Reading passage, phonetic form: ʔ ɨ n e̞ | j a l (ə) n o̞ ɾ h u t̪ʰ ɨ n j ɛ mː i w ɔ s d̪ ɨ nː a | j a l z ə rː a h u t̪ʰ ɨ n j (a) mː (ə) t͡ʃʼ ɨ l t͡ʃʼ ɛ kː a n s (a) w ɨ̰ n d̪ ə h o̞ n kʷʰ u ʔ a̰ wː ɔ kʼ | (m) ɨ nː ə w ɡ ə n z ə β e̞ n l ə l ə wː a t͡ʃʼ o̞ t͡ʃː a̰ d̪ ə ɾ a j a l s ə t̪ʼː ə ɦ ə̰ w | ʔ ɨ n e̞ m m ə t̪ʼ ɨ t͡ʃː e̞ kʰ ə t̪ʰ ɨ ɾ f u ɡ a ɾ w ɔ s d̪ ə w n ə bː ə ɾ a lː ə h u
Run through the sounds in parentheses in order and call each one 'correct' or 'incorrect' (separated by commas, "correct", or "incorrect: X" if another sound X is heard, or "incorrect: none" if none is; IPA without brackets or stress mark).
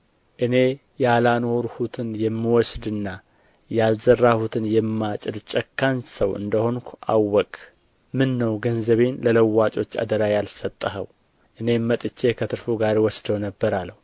incorrect: a, incorrect: ɛ, incorrect: a, incorrect: ə, correct